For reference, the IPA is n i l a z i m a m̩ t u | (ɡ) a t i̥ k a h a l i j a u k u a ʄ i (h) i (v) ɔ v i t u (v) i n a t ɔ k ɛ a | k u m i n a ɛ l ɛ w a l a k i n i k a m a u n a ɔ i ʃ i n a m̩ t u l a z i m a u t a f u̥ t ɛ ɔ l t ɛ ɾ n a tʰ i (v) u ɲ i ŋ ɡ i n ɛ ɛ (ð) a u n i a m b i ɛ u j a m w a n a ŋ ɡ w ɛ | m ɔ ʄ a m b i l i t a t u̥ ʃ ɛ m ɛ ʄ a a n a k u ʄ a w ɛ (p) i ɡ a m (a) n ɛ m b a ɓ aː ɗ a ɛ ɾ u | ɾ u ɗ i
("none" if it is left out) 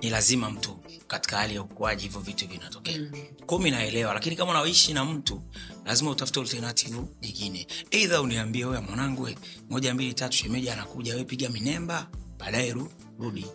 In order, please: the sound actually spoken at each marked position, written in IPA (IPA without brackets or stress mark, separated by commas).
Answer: k, h, v, v, v, ð, p, i